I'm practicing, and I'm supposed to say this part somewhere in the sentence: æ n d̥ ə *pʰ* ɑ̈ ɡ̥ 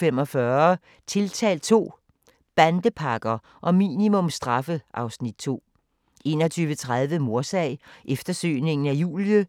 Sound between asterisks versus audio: correct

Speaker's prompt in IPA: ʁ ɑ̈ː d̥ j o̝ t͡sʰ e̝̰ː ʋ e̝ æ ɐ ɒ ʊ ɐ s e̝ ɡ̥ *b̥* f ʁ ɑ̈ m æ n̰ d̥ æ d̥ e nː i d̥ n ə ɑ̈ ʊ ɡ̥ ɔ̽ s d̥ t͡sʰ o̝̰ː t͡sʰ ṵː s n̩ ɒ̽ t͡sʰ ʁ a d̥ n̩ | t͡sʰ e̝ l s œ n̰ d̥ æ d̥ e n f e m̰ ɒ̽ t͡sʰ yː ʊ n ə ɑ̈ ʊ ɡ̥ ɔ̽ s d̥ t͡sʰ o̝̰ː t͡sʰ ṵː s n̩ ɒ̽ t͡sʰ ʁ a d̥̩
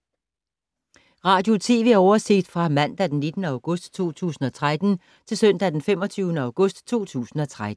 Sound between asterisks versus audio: incorrect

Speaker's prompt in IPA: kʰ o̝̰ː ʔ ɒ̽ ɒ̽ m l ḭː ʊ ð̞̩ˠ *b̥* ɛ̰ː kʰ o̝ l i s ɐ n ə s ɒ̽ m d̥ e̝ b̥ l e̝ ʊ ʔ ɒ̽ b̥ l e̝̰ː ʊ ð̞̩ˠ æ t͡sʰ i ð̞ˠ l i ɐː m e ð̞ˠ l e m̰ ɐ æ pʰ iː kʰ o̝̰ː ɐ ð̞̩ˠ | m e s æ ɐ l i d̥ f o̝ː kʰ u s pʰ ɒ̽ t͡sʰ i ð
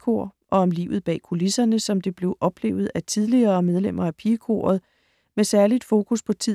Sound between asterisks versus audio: correct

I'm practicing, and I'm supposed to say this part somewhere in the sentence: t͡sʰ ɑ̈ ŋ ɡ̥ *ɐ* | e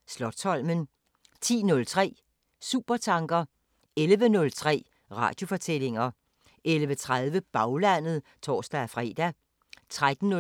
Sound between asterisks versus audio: correct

